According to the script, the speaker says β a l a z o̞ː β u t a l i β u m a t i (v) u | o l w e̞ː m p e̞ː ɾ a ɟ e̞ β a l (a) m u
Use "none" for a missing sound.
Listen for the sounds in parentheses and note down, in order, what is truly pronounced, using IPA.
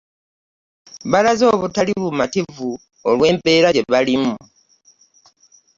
v, i

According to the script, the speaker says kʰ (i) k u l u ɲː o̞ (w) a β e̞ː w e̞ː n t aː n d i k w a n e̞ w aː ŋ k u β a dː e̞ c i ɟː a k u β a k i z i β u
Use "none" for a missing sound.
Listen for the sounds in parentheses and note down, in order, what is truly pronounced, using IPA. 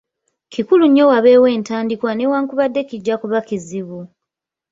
i, w

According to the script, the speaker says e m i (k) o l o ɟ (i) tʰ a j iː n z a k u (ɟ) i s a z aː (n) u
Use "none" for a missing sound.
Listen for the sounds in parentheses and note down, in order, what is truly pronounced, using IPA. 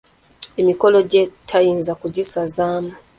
k, e, ɟ, m

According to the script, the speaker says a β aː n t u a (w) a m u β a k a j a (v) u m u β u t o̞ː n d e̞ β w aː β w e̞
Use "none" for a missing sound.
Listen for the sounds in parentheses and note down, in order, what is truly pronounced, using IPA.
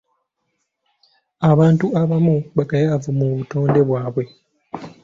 β, v

